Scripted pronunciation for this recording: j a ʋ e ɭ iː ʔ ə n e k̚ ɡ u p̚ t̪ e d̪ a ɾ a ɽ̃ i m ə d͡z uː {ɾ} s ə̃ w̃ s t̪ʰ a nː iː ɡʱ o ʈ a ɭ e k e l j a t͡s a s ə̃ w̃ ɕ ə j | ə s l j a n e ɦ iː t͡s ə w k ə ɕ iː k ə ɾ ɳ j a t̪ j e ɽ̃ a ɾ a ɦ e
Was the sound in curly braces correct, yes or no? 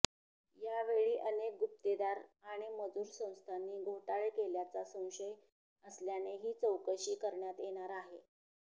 yes